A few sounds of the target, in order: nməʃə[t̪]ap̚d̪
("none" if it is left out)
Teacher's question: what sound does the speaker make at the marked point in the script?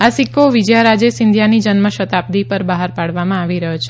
t̪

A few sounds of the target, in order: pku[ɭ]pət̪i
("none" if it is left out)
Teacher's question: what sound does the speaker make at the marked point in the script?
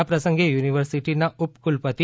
l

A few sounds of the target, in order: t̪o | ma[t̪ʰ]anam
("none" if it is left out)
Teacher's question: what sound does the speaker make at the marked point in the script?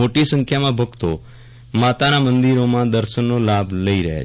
t̪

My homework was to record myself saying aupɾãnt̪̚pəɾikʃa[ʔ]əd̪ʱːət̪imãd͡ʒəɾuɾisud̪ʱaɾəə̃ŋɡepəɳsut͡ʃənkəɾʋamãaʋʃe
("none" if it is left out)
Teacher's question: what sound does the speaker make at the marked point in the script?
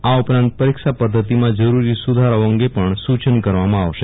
p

